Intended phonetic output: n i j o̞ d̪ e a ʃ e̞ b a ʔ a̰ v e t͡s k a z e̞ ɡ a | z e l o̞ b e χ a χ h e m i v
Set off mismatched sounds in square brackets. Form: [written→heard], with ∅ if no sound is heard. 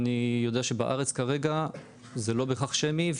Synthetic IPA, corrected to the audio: n i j o̞ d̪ e a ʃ e̞ b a ʔ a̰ [v→ʁ] e t͡s k a [z→ʁ] e̞ ɡ a | z e l o̞ b e χ a χ [h→ʃ] e m i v